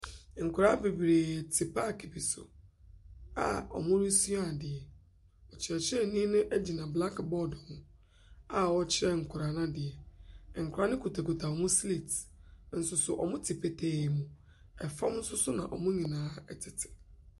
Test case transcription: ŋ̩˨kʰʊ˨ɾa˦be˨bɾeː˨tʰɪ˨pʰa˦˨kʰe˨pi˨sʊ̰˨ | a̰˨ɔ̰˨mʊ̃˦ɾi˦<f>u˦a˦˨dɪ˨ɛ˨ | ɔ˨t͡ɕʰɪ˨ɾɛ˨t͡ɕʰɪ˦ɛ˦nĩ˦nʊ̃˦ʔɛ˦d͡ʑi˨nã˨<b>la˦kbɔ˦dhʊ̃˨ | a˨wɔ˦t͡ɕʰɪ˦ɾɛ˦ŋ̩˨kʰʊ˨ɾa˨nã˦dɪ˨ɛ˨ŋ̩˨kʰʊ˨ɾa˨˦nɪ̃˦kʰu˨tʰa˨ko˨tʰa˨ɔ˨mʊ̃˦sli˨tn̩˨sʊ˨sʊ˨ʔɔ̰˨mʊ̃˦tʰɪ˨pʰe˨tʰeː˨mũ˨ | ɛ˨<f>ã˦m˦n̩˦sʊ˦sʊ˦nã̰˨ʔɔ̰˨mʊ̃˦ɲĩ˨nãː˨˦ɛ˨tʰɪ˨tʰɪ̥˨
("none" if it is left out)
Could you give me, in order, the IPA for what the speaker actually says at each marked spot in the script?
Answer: s, b, f

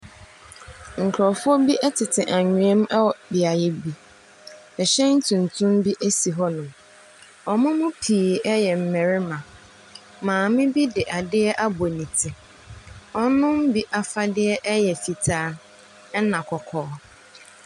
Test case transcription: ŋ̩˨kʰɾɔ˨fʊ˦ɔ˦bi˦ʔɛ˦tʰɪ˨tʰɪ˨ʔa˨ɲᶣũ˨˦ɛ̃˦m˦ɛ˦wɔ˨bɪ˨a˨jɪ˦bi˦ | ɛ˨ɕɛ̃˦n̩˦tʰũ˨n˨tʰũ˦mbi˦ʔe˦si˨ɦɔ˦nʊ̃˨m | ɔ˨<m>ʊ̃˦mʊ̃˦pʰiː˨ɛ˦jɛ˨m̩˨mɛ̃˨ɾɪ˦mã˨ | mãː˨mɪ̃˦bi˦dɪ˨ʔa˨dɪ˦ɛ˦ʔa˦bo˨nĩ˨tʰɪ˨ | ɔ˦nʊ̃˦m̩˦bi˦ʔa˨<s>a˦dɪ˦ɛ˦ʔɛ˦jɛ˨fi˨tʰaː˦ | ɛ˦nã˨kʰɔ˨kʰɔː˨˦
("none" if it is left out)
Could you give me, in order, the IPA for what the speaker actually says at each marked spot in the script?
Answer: m, f

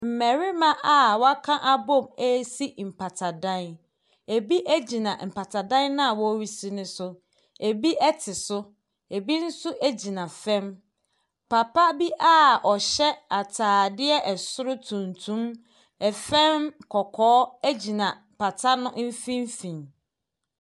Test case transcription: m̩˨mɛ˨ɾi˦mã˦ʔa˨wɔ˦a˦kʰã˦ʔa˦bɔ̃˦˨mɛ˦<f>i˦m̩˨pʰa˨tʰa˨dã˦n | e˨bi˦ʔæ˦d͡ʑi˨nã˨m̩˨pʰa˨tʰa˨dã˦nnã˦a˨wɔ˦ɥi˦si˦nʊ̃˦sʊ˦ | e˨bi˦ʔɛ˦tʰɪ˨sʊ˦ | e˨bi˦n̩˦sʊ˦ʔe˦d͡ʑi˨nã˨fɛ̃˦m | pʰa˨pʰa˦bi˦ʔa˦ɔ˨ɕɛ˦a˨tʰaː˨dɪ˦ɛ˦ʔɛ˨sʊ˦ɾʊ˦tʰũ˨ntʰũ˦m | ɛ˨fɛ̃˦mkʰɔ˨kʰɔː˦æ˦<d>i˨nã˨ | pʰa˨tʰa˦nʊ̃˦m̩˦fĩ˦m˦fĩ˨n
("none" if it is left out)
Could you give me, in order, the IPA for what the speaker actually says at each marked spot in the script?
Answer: s, d͡ʑ

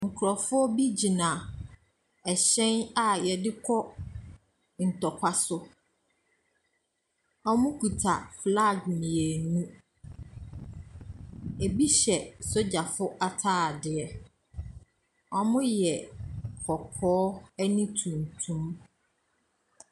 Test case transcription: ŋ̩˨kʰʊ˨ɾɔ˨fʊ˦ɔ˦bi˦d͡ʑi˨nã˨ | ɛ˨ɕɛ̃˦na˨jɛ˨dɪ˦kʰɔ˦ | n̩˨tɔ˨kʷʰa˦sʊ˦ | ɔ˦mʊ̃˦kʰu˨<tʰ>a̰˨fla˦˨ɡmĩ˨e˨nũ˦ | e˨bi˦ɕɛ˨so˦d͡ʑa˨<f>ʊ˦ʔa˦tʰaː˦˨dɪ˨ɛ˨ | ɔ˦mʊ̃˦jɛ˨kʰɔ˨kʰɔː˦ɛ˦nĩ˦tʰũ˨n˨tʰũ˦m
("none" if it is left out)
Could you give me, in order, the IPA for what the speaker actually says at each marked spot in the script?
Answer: tʰ, f

